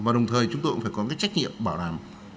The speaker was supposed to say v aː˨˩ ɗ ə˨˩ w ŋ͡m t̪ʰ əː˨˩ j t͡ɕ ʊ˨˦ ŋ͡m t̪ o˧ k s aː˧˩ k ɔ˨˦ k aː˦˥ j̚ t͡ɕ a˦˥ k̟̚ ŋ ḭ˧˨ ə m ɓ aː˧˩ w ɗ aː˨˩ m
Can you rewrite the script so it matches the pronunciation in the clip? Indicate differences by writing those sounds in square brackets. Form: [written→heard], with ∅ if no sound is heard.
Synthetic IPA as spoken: v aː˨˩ ɗ ə˨˩ w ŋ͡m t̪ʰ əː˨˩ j t͡ɕ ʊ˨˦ ŋ͡m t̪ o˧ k [s→f] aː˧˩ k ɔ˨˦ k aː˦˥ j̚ t͡ɕ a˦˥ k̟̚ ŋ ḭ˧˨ ə m ɓ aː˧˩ w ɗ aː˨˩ m